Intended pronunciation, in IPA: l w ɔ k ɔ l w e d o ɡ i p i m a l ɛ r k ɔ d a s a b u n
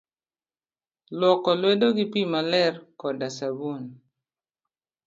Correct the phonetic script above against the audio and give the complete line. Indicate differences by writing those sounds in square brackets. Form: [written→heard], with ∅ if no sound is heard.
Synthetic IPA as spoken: l w ɔ k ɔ l w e d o ɡ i p i m a l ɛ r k ɔ d a s a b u n

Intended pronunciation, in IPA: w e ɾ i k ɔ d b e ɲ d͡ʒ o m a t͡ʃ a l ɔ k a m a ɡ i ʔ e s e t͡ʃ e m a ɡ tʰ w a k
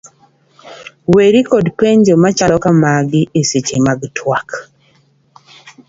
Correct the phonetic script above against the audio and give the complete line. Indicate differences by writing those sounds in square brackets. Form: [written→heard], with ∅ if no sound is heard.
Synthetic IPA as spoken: w e ɾ i k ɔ d [b→p] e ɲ d͡ʒ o m a t͡ʃ a l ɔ k a m a ɡ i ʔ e s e t͡ʃ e m a ɡ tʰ w a k

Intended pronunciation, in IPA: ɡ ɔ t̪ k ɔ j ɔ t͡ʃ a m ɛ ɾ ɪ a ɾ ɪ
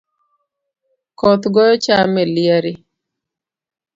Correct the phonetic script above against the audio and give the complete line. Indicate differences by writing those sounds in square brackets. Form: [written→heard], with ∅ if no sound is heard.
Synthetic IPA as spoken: [ɡ→k] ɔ t̪ [k→ɡ] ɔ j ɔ t͡ʃ a m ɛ [ɾ→l] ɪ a ɾ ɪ

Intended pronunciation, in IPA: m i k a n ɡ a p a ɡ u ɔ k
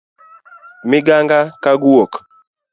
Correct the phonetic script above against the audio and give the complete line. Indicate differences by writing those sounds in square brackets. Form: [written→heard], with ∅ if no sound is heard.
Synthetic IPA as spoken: m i [k→ɡ] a [n→ŋ] ɡ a [p→k] a ɡ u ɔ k

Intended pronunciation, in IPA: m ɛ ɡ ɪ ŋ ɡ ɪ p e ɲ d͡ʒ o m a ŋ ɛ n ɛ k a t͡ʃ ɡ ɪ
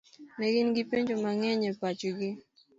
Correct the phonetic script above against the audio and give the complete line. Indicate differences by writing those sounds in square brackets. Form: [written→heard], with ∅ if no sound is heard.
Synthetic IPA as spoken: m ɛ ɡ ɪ [ŋ→n] ɡ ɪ p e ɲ d͡ʒ o m a ŋ ɛ [n→ɲ] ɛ [k→p] a t͡ʃ ɡ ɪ

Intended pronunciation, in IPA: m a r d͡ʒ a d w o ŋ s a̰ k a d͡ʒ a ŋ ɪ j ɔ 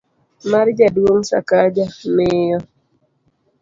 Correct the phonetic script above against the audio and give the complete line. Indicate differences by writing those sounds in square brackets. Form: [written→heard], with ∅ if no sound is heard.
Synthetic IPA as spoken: m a [r→ɾ] d͡ʒ a d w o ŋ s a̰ k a d͡ʒ a [ŋ→m] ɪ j ɔ

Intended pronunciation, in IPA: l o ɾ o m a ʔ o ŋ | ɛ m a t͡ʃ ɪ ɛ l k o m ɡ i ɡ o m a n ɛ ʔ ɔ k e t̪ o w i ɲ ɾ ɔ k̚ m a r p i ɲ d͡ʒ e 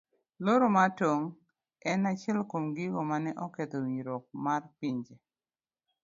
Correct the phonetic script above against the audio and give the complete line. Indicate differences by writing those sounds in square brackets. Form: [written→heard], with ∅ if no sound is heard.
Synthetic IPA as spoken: l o ɾ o m a [ʔ→t] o ŋ | ɛ [m→n] a t͡ʃ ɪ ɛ l k o m ɡ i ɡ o m a n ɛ ʔ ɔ k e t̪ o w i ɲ ɾ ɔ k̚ m a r p i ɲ d͡ʒ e

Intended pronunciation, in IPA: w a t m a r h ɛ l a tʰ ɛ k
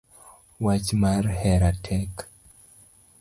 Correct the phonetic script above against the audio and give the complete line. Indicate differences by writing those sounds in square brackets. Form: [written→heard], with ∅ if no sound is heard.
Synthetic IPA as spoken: w a [t→t͡ʃ] m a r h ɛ [l→ɾ] a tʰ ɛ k

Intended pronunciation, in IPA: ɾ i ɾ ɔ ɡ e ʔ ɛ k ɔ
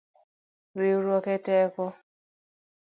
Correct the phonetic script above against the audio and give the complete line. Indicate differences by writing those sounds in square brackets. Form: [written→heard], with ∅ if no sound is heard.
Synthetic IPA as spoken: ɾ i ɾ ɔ [ɡ→k] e [ʔ→t] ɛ k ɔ

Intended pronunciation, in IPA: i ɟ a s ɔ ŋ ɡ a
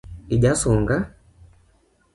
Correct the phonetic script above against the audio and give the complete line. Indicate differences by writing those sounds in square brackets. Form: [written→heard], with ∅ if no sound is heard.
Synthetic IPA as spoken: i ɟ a s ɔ ŋ ɡ a

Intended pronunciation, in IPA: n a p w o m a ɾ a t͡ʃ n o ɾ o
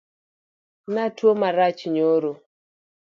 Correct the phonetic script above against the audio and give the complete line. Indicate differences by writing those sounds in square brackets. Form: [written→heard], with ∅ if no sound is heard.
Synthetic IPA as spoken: n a [p→t] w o m a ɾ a t͡ʃ [n→ɲ] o ɾ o

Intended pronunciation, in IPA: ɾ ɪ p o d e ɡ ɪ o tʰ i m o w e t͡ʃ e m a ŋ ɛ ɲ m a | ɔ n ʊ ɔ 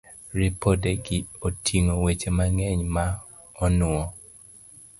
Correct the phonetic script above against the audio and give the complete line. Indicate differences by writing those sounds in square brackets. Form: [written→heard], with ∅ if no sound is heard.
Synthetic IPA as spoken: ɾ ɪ p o d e ɡ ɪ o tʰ i [m→ŋ] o w e t͡ʃ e m a ŋ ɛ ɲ m a | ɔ n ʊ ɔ

